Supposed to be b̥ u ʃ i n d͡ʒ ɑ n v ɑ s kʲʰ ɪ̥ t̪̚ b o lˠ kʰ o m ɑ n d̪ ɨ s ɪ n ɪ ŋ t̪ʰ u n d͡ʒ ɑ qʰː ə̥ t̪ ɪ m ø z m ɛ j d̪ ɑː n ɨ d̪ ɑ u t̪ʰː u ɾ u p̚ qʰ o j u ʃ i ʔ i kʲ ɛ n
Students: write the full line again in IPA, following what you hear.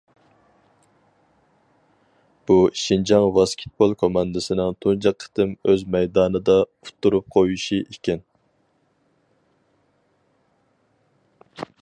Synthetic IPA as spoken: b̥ u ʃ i n d͡ʒ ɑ ŋ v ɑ s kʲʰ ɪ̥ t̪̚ b o lˠ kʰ o m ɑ n d̪ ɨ s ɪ n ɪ ŋ t̪ʰ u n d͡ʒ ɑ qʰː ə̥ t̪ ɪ m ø z m ɛ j d̪ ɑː n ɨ d̪ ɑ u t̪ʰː u ɾ u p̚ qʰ o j u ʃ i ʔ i kʲ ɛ n